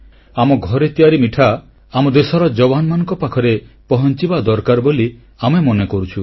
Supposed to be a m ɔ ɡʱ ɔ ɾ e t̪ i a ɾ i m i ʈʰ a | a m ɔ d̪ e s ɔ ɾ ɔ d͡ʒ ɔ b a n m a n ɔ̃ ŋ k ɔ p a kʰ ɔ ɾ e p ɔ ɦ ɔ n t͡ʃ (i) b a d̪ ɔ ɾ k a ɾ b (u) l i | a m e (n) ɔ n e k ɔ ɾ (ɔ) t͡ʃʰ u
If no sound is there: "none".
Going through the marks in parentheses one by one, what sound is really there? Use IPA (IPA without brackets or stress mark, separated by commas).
i, o, m, u